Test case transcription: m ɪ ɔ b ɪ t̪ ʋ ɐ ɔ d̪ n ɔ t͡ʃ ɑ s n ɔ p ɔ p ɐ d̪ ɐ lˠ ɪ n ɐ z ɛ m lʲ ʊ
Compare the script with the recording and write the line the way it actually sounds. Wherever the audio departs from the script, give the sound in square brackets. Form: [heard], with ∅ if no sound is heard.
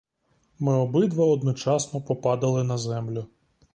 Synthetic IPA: m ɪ ɔ b ɪ [d̪] ʋ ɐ ɔ d̪ n ɔ t͡ʃ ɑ s n ɔ p ɔ p [ɑ] d̪ ɐ lˠ ɪ n ɐ z ɛ m lʲ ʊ